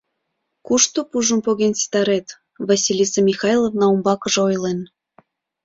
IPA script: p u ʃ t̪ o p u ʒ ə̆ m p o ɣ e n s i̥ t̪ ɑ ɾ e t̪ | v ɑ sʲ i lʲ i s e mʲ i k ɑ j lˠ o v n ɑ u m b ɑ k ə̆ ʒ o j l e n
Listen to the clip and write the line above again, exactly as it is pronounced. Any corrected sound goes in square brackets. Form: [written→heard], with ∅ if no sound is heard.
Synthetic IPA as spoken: [p→k] u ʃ t̪ o p u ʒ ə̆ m p o ɣ e n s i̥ t̪ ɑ ɾ e t̪ | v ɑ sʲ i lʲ i s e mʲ i [k→x] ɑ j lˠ o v n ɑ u m b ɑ k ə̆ ʒ o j l e n